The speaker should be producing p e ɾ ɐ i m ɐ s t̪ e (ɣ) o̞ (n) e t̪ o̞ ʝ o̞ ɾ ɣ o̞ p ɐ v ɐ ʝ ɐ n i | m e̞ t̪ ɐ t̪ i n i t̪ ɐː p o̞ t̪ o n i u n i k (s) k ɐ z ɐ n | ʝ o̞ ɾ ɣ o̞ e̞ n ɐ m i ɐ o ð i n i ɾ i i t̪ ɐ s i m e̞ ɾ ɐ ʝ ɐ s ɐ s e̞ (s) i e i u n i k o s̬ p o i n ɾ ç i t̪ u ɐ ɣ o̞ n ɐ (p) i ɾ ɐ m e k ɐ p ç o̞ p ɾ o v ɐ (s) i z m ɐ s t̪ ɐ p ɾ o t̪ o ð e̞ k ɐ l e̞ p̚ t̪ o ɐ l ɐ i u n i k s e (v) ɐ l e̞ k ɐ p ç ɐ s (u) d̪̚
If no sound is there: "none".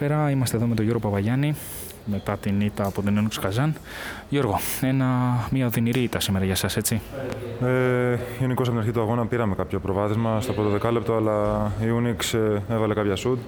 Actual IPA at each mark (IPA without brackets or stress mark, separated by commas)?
ð, m, s, t͡s, p, θ, v, u